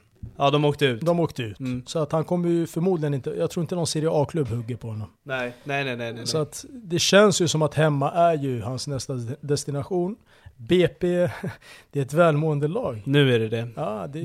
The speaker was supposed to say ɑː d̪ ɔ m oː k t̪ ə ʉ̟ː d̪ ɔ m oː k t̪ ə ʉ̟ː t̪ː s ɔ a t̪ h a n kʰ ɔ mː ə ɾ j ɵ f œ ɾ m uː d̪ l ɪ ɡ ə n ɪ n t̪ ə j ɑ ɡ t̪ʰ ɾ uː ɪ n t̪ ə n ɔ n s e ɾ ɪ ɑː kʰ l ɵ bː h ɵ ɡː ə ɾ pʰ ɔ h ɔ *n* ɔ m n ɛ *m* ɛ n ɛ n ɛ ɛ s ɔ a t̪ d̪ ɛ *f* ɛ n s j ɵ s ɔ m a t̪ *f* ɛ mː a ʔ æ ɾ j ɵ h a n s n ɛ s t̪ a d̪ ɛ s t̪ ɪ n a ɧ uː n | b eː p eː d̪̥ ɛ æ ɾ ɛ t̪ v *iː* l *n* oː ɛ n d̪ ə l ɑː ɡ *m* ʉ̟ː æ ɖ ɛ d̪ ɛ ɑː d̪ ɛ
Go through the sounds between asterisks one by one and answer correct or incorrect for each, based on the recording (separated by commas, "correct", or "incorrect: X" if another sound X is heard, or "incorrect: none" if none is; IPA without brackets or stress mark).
incorrect: nː, incorrect: n, incorrect: ɕ, incorrect: h, incorrect: ɛː, incorrect: m, incorrect: n